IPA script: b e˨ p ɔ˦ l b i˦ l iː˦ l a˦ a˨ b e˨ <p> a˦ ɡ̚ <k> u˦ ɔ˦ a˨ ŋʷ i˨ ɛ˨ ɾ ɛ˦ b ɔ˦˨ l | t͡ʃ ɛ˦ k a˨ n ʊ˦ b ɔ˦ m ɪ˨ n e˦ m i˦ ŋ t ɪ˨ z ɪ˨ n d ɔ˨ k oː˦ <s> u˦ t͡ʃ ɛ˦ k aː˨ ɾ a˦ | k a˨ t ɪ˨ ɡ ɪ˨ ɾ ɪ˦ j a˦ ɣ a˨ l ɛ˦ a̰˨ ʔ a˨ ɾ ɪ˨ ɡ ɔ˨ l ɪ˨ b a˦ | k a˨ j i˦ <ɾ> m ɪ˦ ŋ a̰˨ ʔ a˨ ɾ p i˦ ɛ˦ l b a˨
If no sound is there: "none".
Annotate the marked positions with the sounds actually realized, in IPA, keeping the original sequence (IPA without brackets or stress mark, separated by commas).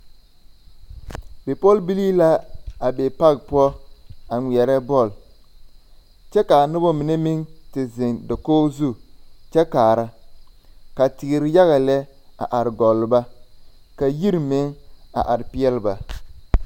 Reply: p, p, z, ɾ